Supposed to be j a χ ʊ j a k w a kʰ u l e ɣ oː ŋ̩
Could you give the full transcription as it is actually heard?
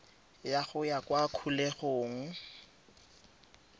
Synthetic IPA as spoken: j a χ ʊ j a k w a kʰ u l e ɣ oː ŋ̩